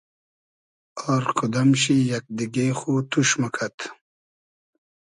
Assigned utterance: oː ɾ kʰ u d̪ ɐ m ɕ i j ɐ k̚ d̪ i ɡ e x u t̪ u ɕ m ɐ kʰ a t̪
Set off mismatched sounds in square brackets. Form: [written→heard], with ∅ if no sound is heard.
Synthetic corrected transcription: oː ɾ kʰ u d̪ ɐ m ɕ i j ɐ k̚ d̪ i ɡ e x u t̪ u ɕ m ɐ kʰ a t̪